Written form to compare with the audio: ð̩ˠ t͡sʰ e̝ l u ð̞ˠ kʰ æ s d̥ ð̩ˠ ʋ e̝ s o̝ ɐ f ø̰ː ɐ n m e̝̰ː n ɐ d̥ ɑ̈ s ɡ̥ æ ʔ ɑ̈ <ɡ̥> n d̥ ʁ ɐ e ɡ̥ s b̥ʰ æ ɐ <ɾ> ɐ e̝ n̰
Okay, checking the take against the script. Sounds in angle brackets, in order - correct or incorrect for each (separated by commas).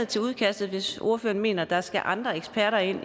incorrect, correct